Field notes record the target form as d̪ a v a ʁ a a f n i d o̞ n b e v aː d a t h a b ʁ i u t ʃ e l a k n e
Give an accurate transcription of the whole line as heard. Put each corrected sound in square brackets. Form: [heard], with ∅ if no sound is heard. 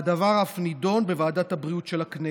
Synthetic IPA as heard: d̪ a v a ʁ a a f n i d o̞ n b e v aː d a t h a b ʁ i u t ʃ e l a k n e

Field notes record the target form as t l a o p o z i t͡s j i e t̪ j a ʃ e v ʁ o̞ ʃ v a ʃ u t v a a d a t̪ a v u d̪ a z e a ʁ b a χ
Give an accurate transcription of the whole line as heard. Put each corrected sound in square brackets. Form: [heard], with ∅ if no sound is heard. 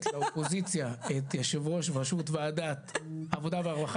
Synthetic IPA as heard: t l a o p o z i t͡s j [a] e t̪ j a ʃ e v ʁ o̞ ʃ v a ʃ u t v [e] a d a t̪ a v [o] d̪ a [v] e a ʁ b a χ

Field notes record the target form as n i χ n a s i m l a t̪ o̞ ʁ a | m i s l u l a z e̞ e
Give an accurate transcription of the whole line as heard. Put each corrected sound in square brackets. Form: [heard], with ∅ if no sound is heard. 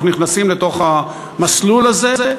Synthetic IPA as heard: n i χ n a s i m l [e] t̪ o̞ [χ] a | m [a] s l u l a z e̞ e

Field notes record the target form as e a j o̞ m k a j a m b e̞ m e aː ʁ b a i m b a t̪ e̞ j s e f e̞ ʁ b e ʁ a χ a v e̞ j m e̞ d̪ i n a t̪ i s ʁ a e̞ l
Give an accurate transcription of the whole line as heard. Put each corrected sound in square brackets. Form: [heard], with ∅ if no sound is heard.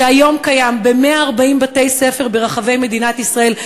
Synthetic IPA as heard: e a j o̞ m k a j a m b e̞ m e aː ʁ b a i m b a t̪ e̞ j s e f e̞ ʁ b e ʁ a χ a v e̞ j m e̞ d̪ i n a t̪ i s ʁ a e̞ l

